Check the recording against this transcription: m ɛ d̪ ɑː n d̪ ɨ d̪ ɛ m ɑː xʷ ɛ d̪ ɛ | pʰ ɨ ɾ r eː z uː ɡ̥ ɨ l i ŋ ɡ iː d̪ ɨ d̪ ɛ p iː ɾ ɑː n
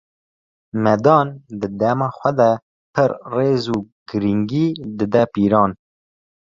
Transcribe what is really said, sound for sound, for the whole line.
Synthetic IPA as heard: m ɛ d̪ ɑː n d̪ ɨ d̪ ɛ m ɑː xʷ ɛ d̪ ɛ | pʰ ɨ ɾ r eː z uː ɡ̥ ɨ ɾ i ŋ ɡ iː d̪ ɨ d̪ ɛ p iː ɾ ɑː n